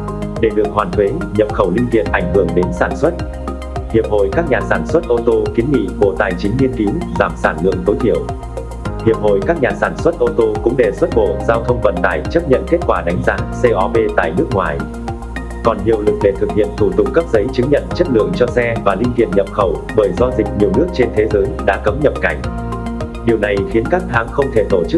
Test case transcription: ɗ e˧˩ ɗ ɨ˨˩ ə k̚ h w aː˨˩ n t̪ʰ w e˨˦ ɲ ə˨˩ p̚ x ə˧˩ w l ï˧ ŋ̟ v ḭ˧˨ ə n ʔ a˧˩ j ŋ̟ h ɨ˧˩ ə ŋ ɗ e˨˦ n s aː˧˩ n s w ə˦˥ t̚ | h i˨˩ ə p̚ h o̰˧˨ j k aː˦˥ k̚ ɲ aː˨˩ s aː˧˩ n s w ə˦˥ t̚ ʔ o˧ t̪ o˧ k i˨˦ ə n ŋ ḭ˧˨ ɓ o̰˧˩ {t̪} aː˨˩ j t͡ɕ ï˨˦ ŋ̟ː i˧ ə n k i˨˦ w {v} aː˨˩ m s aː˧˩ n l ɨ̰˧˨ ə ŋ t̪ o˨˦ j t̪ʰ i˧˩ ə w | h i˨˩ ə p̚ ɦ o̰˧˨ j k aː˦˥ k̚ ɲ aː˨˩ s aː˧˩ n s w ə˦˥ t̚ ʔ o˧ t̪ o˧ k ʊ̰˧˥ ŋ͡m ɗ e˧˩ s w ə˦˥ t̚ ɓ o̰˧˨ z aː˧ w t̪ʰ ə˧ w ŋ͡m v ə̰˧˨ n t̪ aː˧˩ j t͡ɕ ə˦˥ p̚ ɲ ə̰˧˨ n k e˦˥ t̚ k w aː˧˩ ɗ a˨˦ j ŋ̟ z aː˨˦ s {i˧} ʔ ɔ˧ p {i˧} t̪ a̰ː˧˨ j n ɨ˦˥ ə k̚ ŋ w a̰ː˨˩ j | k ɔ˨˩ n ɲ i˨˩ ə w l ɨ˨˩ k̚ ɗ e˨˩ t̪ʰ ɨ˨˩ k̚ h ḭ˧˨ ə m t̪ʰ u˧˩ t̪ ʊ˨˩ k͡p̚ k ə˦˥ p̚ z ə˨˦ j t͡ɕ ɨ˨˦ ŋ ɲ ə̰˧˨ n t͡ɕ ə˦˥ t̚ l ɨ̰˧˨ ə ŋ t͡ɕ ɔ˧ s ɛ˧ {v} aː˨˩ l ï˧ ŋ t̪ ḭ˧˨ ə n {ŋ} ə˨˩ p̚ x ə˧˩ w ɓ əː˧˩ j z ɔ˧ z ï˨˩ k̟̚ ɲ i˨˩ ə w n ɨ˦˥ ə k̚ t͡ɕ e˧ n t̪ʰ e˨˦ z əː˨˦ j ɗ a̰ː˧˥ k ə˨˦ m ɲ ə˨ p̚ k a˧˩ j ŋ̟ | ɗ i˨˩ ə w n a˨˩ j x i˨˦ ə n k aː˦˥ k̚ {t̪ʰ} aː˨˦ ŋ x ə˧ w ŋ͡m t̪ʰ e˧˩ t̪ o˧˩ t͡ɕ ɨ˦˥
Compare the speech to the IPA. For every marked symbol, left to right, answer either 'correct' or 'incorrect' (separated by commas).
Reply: correct, incorrect, incorrect, incorrect, correct, incorrect, correct